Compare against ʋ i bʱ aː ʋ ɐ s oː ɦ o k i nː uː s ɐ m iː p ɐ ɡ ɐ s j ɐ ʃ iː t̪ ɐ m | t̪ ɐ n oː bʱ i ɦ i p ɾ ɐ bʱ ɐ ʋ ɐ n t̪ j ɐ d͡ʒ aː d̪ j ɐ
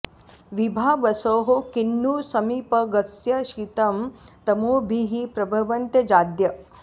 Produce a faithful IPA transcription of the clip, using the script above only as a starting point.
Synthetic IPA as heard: ʋ i bʱ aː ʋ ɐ s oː ɦ o k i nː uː s ɐ m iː p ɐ ɡ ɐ s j ɐ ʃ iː t̪ ɐ m | t̪ ɐ m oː bʱ i ɦ i p ɾ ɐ bʱ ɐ ʋ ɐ n t̪ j ɐ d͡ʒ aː d̪ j ɐ